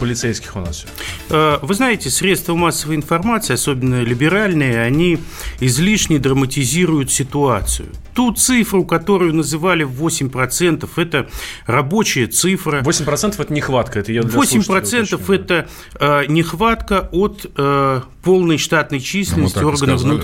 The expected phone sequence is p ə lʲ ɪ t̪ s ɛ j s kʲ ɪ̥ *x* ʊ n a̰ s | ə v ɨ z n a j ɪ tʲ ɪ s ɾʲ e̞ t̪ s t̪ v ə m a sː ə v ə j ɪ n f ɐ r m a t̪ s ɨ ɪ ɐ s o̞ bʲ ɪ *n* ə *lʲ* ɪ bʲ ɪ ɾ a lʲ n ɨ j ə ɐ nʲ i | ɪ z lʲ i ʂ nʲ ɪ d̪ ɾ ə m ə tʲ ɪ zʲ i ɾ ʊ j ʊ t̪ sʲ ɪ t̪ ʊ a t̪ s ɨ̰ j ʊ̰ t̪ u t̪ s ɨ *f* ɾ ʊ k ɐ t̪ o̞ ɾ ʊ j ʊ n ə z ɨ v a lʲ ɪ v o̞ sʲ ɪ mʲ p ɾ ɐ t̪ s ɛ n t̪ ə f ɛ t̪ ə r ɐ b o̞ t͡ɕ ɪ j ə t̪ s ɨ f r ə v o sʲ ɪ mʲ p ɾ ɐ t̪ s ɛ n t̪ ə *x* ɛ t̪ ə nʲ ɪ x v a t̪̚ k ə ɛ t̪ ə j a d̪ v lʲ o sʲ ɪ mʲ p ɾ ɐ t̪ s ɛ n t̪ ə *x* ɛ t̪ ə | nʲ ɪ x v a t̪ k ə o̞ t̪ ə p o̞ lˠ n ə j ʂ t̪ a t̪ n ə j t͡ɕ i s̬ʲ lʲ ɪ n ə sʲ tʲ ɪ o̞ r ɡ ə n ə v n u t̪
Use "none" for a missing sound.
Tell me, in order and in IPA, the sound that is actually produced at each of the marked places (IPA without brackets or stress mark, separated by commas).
x, nː, lʲ, f, f, f